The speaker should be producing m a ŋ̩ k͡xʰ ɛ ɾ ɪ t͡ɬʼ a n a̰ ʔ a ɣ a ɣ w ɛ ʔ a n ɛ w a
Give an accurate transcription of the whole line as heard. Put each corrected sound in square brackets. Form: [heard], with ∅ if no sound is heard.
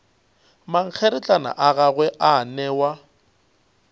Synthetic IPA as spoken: m a ŋ̩ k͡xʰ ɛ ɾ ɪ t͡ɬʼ a n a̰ ʔ a ɣ a ɣ w ɛ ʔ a n ɛ w a